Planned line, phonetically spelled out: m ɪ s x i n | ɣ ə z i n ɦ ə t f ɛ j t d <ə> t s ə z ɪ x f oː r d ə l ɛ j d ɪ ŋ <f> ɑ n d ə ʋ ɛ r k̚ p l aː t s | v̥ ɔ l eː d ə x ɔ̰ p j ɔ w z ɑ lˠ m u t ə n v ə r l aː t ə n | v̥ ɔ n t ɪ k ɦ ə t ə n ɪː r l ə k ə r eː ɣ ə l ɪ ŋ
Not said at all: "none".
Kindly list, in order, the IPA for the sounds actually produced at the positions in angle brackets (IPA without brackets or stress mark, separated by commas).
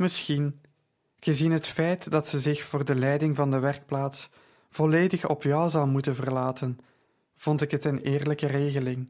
ɑ, v